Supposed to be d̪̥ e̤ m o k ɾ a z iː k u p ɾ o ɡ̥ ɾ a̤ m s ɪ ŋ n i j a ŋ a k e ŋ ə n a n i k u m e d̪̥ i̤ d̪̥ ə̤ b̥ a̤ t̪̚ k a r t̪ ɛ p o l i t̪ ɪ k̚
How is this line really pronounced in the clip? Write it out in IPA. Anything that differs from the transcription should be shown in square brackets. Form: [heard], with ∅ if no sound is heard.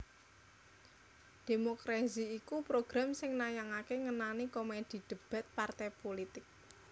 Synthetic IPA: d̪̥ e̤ m o k ɾ a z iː k u p ɾ o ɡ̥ ɾ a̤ m s ɪ ŋ n [a] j a ŋ a k e ŋ ə n a n i k [o] m e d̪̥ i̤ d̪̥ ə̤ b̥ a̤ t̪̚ [p] a r t̪ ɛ p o l i t̪ ɪ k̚